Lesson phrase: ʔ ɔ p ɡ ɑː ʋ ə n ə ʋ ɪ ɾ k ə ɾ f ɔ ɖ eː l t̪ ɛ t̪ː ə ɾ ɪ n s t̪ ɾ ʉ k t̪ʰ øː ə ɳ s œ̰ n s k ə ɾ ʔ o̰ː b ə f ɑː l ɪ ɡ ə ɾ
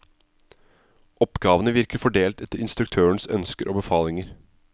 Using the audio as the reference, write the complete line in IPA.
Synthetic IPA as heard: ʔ ɔ p ɡ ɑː ʋ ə n ə ʋ ɪ ɾ k ə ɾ f ɔ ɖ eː l t̪ ɛ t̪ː ə ɾ ɪ n s t̪ ɾ ʉ k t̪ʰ øː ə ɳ s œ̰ n s k ə ɾ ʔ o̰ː b ə f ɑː l ɪ ŋ ə ɾ